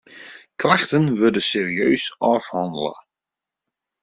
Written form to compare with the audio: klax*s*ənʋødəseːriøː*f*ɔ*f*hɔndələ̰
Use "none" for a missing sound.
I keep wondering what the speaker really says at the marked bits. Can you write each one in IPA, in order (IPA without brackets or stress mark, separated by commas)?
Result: t, s, f